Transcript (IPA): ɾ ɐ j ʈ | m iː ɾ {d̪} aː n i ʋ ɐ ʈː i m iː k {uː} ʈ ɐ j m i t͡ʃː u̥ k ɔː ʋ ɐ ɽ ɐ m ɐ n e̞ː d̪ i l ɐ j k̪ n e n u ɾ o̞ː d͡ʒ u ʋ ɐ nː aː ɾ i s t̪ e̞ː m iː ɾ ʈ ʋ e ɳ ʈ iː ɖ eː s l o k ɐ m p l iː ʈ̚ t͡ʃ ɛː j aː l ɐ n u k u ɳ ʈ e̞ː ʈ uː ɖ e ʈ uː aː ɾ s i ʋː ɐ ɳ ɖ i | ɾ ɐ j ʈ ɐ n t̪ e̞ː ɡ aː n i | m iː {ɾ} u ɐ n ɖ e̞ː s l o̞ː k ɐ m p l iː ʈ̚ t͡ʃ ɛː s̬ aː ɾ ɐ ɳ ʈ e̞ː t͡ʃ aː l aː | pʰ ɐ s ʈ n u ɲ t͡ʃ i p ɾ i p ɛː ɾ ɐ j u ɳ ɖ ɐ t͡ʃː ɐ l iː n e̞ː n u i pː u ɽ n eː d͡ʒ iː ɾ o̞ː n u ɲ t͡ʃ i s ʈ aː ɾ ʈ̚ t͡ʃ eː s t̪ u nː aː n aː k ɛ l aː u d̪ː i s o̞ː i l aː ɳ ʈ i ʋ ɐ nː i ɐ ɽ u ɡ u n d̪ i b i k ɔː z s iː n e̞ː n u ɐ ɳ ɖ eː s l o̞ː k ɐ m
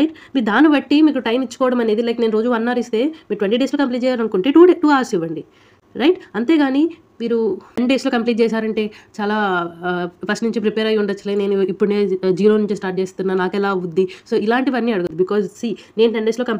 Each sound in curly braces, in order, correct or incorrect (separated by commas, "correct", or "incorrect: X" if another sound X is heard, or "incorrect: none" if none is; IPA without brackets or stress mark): correct, incorrect: u, correct